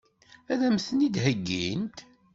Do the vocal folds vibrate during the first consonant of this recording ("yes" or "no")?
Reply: yes